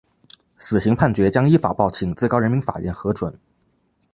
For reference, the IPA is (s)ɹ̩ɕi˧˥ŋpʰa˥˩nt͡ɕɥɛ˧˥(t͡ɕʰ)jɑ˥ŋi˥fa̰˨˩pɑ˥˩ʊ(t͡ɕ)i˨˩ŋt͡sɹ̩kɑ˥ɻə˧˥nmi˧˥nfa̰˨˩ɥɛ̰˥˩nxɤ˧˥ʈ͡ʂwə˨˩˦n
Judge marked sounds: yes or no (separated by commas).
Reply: yes, no, no